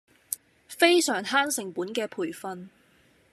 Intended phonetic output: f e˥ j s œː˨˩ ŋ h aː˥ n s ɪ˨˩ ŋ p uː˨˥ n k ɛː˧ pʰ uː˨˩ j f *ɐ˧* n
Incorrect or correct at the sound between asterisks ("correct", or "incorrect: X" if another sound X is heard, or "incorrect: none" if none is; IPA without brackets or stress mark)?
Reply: correct